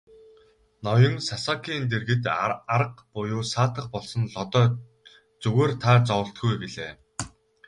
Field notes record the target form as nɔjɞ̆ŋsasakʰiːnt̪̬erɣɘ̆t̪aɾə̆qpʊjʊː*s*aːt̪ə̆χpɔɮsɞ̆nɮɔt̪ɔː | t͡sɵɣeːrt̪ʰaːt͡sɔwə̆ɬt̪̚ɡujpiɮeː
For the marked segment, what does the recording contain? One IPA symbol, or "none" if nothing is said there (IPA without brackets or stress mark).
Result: s